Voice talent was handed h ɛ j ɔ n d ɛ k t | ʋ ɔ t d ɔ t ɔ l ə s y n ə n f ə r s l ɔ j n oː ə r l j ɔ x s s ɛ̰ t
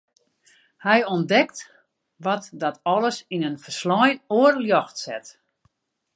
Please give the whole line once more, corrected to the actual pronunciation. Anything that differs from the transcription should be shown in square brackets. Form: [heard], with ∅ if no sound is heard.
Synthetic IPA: h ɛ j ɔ n d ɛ k t | ʋ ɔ t d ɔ t ɔ l ə s [i] n ə n f ə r s l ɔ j n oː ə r l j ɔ x [t] s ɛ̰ t